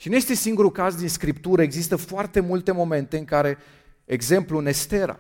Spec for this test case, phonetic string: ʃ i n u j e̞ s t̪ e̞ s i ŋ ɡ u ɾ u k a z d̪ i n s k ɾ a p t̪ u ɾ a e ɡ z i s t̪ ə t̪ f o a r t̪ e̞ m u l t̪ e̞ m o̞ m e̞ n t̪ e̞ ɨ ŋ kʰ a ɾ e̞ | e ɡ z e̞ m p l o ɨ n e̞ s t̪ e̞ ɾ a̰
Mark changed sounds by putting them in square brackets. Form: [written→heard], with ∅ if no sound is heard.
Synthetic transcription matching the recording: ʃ i n u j e̞ s t̪ e̞ s i ŋ ɡ u ɾ u k a z d̪ i n s k ɾ [a→i] p t̪ u ɾ [a→ə] e ɡ z i s t̪ ə [t̪→∅] f o a r t̪ e̞ m u l t̪ e̞ m o̞ m e̞ n t̪ e̞ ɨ ŋ [kʰ→k] a ɾ e̞ | e ɡ z e̞ m p l [o→u] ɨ n e̞ s t̪ e̞ ɾ a̰